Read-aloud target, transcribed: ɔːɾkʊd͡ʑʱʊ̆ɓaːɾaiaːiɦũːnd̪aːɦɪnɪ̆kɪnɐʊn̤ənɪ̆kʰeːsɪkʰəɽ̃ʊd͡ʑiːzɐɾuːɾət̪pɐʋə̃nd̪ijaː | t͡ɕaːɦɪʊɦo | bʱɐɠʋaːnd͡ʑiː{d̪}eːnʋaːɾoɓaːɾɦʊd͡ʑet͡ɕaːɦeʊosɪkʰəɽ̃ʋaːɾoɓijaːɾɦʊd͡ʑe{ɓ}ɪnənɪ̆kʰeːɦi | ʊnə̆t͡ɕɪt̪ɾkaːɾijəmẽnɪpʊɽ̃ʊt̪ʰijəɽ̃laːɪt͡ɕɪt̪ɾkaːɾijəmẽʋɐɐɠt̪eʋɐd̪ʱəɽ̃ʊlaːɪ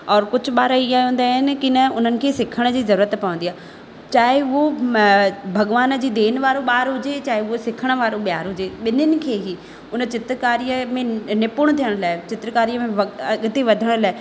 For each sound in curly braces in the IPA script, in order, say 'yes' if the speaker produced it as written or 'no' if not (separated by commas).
yes, yes